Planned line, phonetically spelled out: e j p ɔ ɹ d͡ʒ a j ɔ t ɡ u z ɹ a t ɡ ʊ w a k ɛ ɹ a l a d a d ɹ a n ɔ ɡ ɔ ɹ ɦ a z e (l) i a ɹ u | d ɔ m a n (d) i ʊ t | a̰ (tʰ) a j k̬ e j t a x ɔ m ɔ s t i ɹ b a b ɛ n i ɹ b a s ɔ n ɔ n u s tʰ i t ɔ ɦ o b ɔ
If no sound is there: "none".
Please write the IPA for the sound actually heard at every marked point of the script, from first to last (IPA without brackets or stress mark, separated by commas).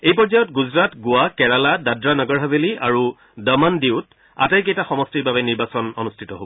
l, d, t